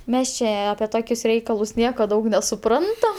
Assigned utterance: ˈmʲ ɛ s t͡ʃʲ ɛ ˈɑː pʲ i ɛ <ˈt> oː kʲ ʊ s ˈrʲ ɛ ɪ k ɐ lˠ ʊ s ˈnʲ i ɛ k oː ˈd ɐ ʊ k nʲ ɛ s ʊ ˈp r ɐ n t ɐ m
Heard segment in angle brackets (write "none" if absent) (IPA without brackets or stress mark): t